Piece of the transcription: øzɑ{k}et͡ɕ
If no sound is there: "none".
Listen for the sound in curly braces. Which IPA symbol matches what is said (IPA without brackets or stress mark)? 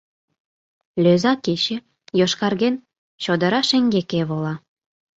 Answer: k